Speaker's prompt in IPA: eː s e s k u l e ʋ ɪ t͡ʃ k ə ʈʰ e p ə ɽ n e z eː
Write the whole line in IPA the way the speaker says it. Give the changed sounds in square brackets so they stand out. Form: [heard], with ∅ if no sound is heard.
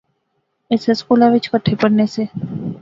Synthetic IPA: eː s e s k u l [a] ʋ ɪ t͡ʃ k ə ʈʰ e p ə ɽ n e [s] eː

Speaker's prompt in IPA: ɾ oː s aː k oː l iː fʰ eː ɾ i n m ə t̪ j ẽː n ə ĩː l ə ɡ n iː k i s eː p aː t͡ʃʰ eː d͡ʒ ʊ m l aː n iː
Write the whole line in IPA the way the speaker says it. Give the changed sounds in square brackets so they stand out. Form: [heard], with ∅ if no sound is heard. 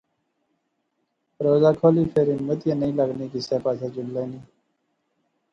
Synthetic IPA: ɾ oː [z] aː [kʰ] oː l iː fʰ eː ɾ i n m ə t̪ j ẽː n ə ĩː l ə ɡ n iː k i s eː p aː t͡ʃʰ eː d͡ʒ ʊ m l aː n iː

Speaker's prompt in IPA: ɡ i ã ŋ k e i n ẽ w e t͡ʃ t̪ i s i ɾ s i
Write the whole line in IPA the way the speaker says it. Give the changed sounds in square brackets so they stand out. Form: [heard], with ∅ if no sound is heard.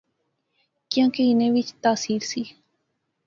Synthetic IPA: [k] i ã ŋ k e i n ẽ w [i] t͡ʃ t̪ [a] s i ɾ s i

